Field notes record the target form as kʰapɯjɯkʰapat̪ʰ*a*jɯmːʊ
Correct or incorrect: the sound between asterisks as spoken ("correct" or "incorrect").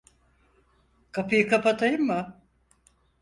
correct